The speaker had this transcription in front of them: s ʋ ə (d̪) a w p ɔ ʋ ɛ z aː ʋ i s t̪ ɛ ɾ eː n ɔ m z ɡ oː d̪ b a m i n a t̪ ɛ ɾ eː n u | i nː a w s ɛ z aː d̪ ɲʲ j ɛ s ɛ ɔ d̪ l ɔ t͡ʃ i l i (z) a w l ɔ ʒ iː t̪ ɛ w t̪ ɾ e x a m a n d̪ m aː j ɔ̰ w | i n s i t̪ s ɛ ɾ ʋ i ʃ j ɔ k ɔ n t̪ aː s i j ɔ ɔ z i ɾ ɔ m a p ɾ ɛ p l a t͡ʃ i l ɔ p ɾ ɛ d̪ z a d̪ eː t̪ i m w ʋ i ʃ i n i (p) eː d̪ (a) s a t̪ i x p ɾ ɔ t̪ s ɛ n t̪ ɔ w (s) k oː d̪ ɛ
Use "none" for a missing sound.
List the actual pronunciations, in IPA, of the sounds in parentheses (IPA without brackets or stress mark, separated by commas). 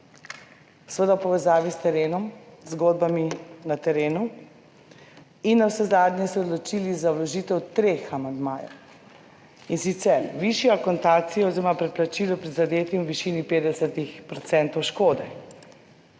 d̪, z, p, ɛ, ʃ